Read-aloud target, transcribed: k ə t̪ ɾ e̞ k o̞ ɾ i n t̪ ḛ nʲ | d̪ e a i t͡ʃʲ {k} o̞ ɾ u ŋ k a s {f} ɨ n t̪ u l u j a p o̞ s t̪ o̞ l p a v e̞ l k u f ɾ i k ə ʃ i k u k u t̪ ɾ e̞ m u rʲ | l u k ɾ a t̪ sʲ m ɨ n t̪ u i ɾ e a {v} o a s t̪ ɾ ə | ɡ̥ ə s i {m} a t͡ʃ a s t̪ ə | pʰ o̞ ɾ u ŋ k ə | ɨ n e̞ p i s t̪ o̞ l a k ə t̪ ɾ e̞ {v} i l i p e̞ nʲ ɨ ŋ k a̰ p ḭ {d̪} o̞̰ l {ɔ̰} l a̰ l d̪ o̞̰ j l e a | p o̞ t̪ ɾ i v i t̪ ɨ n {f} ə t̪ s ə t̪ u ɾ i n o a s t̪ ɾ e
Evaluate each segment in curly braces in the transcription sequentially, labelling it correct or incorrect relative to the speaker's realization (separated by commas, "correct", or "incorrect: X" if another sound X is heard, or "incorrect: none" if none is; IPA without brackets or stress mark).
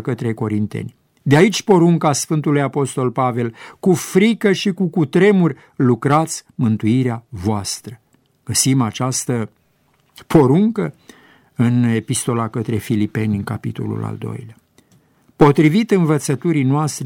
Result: incorrect: p, correct, correct, correct, incorrect: f, incorrect: t̪, incorrect: ṵ, incorrect: v